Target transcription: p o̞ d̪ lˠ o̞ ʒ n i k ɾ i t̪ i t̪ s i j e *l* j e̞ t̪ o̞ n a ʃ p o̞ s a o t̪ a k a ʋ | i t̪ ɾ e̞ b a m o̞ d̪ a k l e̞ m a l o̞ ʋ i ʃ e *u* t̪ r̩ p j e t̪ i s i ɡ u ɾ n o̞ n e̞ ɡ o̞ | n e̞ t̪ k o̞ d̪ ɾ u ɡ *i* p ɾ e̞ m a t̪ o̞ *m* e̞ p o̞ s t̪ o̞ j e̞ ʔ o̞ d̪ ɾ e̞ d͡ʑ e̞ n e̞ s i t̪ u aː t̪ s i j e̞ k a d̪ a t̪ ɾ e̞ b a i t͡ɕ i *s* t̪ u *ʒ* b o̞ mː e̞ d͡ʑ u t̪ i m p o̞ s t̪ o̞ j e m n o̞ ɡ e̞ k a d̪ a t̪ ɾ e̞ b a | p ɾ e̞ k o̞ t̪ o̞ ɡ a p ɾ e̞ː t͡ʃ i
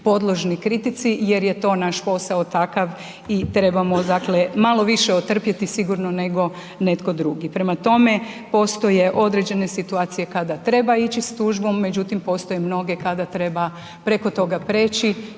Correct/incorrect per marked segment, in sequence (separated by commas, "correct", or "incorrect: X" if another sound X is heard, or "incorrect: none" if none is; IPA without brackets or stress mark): incorrect: ɾ, incorrect: o, correct, correct, correct, correct